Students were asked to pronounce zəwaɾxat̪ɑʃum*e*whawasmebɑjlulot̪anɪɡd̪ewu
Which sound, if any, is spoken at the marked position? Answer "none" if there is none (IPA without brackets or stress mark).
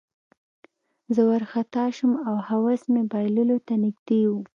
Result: a